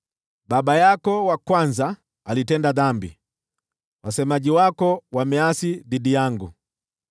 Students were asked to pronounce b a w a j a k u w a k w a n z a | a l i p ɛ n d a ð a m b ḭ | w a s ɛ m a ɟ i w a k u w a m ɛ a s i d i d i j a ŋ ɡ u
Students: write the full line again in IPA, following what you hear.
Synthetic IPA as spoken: b a b a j a k ɔ w a k w a n z a | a l i t ɛ n d a ð a m b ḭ | w a s ɛ m a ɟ i w a k ɔ w a m ɛ a s i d i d i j a ŋ ɡ u

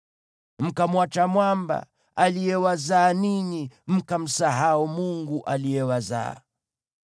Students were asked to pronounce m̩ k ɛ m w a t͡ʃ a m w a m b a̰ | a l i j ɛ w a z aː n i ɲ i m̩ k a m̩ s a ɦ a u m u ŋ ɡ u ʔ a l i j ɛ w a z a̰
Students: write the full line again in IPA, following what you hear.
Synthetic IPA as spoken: m̩ k a m w a t͡ʃ a m w a m b a̰ | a l i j ɛ w a z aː n i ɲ i m̩ k a m̩ s a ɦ a u m u ŋ ɡ u ʔ a l i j ɛ w a z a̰

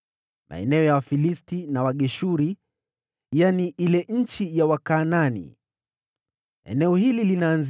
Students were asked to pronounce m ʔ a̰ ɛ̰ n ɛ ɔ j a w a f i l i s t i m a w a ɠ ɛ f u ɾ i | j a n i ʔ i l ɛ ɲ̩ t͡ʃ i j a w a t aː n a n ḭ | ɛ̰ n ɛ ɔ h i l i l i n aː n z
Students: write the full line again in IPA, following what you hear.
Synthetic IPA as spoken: m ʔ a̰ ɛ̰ n ɛ ɔ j a w a f i l i s t i n a w a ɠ ɛ ʃ u ɾ i | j a n i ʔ i l ɛ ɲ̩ t͡ʃ i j a w a k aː n a n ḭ | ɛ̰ n ɛ ɔ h i l i l i n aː n z

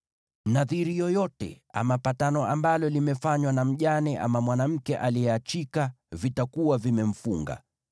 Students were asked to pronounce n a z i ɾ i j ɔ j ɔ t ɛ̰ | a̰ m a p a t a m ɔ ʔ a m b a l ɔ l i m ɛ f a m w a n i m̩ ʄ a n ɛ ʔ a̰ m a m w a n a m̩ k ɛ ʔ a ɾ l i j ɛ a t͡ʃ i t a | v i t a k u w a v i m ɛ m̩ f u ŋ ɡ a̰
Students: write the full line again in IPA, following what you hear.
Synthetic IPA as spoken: n a ð i ɾ i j ɔ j ɔ t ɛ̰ | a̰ m a p a t a n ɔ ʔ a m b a l ɔ l i m ɛ f a ɲ w a n a m̩ ʄ a n ɛ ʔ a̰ m a m w a n a m̩ k ɛ ʔ a l i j ɛ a t͡ʃ i k a | v i t a k u w a v i m ɛ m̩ f u ŋ ɡ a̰

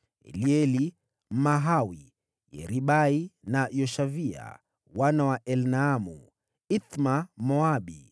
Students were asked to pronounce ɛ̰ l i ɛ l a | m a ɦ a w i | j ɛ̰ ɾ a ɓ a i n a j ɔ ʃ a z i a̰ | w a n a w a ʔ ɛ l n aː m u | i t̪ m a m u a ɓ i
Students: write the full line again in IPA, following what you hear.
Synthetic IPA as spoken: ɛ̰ l i ɛ l i | m a ɦ a w i | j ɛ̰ ɾ i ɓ a i n a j ɔ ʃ a v i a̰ | w a n a w a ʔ ɛ l n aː m u | i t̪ m a m ɔ a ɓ i

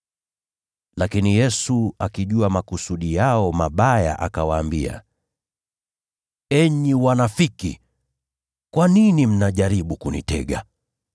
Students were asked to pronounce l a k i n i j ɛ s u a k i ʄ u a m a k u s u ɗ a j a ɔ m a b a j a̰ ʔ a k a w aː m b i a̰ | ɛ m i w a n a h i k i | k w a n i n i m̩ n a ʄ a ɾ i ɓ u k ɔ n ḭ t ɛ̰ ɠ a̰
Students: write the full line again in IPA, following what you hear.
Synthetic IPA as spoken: l a k i n i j ɛ s u a k i ʄ u a m a k u s u ɗ i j a ɔ m a ɓ a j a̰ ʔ a k a w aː m b i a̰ | ɛ ɲ i w a n a f i k i | k w a n i n i m̩ n a ʄ a ɾ i ɓ u k u n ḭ t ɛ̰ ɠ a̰

